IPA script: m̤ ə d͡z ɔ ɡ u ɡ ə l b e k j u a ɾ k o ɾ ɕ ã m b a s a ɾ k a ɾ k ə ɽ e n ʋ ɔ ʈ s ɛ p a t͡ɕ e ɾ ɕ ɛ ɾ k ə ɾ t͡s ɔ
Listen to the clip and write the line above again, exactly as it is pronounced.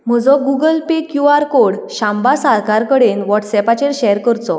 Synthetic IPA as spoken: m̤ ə d͡z ɔ ɡ u ɡ ə l p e k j u a ɾ k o ɽ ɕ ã m b a s a ɾ k a ɾ k ə ɽ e n ʋ ɔ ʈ s ɛ p a t͡ɕ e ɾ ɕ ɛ ɾ k ə ɾ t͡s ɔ